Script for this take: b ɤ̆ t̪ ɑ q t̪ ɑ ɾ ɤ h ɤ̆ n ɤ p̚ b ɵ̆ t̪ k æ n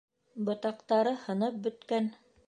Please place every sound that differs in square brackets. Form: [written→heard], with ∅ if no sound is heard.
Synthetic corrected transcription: b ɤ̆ t̪ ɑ q t̪ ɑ ɾ ɤ h ɤ̆ n ɤ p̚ b ɵ̆ t̪ k æ n